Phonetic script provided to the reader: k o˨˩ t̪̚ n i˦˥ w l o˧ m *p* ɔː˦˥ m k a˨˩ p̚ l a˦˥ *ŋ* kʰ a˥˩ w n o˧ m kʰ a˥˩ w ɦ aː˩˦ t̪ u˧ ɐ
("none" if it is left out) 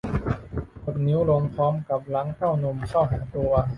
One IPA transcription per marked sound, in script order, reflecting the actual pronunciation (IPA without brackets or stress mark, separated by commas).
pʰ, ŋ